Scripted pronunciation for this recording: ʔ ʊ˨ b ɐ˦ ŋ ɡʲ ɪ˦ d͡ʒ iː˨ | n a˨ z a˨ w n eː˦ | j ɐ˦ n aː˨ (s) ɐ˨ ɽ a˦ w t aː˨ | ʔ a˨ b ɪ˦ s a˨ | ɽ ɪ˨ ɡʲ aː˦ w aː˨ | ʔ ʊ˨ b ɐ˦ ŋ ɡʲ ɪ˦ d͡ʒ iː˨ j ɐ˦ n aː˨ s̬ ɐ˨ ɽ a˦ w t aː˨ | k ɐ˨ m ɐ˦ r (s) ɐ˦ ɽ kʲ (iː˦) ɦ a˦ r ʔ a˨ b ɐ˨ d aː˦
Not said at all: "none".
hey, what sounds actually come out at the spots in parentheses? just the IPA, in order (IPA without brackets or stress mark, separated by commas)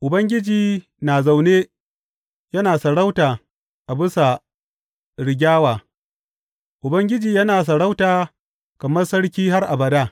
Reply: s, s, iː˦